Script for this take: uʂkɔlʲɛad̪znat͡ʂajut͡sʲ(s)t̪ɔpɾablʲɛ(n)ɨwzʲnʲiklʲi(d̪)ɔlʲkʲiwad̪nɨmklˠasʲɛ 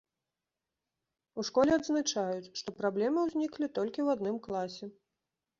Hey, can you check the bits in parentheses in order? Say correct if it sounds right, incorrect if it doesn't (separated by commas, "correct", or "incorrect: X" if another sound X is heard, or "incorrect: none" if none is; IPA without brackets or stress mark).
incorrect: ʂ, incorrect: m, incorrect: t̪